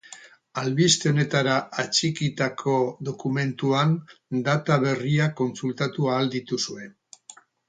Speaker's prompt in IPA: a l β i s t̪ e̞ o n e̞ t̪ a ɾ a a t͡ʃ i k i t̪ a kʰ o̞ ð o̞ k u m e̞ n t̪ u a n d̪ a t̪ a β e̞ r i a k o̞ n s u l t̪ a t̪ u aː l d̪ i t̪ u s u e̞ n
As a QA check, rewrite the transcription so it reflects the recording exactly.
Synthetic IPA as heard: a l β i s t̪ e̞ o n e̞ t̪ a ɾ a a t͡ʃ i k i t̪ a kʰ o̞ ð o̞ k u m e̞ n t̪ u a n d̪ a t̪ a β e̞ r i a k o̞ n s u l t̪ a t̪ u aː l d̪ i t̪ u s u e̞ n